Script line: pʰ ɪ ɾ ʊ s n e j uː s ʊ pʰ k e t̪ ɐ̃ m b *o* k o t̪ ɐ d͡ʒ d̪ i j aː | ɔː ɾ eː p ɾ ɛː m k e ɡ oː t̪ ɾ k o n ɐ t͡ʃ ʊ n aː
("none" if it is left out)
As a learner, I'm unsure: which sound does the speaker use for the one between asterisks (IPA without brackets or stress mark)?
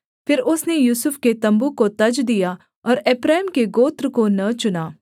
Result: u